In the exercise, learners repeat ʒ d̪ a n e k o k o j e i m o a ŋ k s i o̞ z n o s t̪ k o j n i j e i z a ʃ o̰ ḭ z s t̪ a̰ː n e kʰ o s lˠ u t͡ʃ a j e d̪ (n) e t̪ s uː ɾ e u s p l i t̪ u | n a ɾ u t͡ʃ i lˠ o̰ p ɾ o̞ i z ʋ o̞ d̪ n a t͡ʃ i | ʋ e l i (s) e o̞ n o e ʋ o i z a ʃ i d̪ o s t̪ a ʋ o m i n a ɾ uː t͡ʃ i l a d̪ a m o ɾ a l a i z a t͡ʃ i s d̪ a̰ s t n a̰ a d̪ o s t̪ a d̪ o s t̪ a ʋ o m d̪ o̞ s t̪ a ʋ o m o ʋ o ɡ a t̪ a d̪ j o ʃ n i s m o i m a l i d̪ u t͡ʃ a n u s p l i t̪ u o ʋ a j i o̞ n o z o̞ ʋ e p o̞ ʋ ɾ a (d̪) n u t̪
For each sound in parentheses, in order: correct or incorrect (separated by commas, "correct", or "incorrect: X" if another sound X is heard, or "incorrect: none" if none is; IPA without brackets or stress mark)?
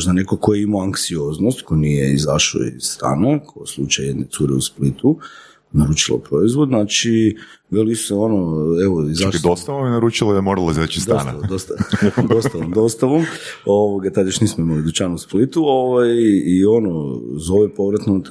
correct, correct, incorrect: t̪